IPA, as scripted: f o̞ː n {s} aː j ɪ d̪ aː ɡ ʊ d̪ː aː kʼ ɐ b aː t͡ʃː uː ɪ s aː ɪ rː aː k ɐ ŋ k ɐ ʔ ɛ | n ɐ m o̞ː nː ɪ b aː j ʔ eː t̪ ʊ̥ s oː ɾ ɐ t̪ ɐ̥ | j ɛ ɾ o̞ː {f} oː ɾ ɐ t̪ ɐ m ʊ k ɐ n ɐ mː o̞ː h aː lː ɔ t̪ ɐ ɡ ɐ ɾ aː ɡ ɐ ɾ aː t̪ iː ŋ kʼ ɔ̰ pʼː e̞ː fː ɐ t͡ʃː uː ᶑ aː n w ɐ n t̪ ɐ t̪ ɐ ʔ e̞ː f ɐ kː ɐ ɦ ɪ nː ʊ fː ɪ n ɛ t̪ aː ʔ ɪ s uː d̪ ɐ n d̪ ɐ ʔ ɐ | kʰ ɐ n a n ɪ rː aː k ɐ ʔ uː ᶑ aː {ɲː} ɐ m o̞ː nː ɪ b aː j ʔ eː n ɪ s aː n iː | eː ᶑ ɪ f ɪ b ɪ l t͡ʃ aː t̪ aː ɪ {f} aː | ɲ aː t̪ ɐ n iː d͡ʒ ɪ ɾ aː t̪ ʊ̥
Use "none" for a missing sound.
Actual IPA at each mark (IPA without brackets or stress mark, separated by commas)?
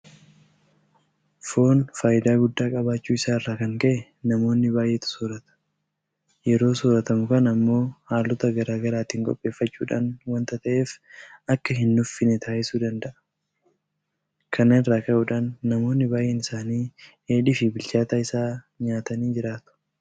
f, s, nː, s